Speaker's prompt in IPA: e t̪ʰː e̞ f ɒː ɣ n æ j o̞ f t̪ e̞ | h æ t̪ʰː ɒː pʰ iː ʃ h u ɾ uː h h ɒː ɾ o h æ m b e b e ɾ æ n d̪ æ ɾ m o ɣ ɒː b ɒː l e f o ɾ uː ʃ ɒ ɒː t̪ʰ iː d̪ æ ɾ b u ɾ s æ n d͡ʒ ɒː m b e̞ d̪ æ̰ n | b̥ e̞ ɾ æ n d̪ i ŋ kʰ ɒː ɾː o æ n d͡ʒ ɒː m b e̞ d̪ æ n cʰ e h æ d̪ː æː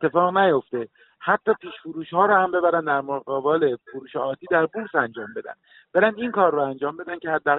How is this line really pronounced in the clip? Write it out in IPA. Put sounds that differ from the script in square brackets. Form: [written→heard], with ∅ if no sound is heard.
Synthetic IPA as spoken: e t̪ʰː e̞ f ɒː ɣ n æ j o̞ f t̪ e̞ | h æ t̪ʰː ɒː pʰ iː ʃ [h→f] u ɾ uː [h→ʃ] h ɒː ɾ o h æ m b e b [e→æ] ɾ æ n d̪ æ ɾ m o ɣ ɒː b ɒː l e f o ɾ uː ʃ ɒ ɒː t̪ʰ iː d̪ æ ɾ b u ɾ s æ n d͡ʒ ɒː m b e̞ d̪ æ̰ n | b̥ e̞ ɾ æ n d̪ i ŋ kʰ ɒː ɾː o æ n d͡ʒ ɒː m b e̞ d̪ æ n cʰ e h æ d̪ː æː